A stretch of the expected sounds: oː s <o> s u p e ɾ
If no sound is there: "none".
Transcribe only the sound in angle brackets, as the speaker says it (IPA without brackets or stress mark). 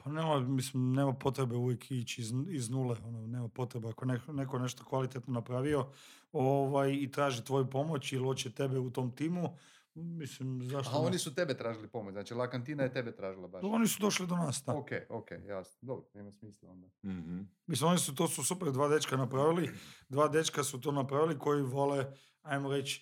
u